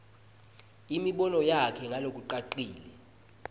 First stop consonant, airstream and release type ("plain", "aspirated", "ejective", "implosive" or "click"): implosive